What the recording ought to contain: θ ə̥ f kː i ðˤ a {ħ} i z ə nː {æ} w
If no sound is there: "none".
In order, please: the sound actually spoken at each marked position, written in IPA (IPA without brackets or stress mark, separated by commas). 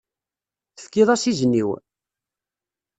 s, i